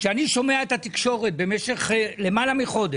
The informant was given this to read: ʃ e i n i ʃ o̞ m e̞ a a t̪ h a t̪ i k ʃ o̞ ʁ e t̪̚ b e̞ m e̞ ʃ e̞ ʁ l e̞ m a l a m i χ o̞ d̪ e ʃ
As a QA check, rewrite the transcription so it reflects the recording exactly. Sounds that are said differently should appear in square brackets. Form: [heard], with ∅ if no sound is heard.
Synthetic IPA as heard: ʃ e [a] n i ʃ o̞ m e̞ a [e] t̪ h a t̪ i k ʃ o̞ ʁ e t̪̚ b e̞ m e̞ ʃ e̞ [χ] l e̞ m a l a m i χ o̞ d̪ e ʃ